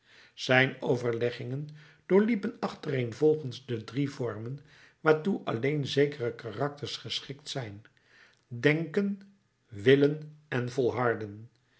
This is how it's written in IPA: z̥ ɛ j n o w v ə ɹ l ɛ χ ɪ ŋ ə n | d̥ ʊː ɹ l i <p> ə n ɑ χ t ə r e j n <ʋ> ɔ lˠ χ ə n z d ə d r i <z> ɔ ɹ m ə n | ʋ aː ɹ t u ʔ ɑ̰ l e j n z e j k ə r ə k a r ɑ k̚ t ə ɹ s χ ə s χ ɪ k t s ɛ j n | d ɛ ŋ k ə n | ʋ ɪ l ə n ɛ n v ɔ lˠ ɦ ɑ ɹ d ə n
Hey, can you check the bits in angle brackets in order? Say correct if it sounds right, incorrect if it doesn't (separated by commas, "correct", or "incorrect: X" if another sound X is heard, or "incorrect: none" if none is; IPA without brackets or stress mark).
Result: correct, incorrect: v, incorrect: v